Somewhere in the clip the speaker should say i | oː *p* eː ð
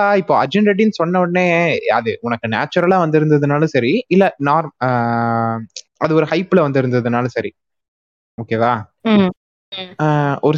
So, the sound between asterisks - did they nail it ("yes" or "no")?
no